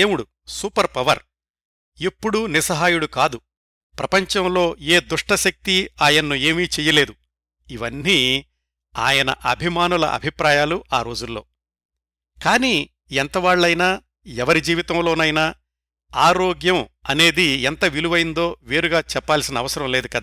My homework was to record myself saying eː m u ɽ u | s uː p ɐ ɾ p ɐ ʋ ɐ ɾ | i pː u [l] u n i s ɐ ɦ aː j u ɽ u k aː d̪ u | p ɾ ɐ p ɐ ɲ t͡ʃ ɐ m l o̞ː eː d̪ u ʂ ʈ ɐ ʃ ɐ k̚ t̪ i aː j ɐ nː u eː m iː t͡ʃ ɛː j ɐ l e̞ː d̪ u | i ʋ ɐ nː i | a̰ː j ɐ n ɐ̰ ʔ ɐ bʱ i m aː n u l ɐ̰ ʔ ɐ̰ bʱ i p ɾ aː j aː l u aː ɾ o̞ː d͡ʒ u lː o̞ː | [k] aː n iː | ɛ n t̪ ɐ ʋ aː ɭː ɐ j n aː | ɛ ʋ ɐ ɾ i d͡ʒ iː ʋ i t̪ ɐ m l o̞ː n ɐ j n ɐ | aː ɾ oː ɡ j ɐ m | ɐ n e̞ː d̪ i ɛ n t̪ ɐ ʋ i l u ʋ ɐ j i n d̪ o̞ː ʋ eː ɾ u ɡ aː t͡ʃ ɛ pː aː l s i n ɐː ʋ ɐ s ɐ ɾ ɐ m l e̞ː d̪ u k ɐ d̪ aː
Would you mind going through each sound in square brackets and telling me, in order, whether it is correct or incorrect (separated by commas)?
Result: incorrect, correct